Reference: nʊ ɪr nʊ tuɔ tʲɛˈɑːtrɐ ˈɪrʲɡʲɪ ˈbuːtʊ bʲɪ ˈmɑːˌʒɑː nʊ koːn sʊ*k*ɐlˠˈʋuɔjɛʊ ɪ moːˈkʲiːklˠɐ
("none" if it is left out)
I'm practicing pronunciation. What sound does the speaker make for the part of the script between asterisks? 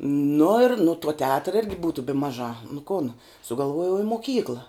ɡ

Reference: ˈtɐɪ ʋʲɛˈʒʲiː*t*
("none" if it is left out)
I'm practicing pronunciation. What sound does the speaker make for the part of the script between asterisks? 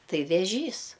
s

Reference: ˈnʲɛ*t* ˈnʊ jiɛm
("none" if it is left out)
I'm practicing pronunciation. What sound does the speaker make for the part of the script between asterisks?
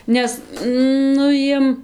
s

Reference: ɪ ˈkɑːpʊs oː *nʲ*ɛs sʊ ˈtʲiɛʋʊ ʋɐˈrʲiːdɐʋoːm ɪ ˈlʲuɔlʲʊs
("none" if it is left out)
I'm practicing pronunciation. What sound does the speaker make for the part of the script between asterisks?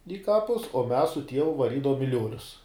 mʲ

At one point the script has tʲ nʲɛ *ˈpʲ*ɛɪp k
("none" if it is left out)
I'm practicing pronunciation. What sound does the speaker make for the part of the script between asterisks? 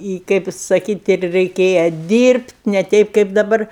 tʲ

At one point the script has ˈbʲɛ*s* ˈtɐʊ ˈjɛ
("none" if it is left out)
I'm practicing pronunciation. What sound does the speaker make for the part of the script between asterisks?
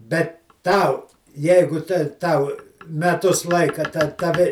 t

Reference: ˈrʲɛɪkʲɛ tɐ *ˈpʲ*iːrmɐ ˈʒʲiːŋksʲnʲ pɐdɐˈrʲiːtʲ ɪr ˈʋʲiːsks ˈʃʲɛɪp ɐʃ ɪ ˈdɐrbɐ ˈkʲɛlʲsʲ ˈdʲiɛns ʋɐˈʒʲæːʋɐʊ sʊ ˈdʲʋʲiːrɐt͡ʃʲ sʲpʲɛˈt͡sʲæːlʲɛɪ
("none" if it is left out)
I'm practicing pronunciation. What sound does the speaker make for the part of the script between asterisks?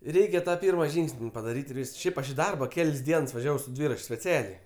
pʲ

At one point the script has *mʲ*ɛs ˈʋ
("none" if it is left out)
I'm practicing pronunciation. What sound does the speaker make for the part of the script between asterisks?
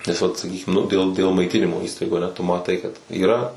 nʲ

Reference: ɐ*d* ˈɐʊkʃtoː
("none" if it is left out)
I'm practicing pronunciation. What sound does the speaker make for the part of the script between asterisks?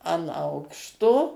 n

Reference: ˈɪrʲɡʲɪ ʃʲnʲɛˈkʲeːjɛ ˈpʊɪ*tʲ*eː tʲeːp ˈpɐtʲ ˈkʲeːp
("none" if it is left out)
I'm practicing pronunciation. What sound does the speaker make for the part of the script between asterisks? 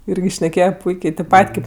kʲ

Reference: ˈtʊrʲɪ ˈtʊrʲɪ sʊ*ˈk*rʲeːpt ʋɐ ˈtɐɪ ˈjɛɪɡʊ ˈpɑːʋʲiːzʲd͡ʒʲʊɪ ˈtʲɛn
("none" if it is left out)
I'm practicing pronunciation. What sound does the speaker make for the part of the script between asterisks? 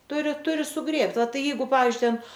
ɡ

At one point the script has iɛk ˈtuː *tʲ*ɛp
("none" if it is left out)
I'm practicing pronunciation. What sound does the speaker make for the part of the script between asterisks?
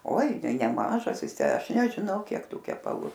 kʲ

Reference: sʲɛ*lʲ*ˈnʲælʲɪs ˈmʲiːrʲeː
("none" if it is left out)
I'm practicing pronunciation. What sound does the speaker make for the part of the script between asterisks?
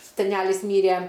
none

